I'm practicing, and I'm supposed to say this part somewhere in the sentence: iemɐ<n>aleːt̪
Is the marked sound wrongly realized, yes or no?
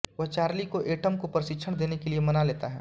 no